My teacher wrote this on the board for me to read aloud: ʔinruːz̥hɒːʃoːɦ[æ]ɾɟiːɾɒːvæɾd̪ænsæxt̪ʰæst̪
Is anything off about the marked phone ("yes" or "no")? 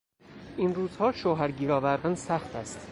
no